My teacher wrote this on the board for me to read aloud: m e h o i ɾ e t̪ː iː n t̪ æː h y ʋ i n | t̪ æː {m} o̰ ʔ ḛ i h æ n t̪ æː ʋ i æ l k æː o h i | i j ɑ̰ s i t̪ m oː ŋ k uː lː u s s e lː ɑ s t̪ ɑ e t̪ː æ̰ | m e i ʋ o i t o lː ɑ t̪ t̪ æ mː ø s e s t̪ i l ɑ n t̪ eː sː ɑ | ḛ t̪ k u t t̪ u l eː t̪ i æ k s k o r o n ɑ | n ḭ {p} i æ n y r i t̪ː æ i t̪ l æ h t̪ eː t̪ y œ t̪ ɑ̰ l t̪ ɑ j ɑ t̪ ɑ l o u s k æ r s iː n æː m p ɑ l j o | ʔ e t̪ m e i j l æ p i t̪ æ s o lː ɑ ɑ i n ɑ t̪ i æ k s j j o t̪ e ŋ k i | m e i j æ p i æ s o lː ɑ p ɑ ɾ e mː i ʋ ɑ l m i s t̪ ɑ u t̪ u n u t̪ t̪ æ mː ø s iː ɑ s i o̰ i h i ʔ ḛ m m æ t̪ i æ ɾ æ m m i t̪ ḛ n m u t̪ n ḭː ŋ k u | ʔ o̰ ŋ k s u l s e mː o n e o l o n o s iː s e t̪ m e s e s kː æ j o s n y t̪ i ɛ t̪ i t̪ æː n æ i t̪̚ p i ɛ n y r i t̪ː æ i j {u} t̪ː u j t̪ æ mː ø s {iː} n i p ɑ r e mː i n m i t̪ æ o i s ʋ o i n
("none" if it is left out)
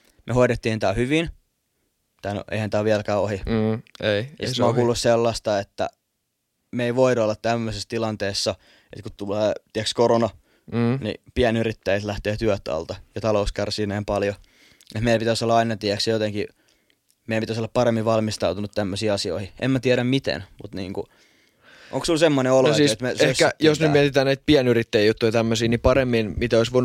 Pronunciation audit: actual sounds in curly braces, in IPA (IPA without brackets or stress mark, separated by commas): n, p, u, iː